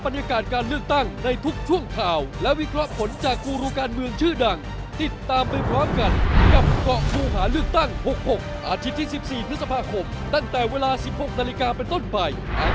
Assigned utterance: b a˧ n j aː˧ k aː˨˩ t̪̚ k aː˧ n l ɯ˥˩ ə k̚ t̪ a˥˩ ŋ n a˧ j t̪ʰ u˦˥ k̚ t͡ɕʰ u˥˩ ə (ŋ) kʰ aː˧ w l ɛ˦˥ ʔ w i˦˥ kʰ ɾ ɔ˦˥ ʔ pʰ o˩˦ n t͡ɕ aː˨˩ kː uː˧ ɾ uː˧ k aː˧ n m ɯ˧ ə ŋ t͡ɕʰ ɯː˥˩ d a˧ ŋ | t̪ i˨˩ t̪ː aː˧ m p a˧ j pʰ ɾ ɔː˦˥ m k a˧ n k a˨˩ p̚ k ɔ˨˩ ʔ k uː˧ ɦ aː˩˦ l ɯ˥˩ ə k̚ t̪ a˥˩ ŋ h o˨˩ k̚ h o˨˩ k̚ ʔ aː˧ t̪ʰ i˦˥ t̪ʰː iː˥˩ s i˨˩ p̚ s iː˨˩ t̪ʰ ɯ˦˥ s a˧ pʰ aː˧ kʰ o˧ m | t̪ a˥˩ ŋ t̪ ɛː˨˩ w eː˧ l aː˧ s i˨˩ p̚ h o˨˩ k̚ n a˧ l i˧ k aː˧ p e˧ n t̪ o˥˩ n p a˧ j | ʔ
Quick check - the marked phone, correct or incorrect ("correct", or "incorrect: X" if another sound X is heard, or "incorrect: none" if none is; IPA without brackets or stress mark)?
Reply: correct